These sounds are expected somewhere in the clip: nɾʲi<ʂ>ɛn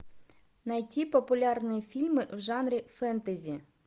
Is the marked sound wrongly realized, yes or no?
yes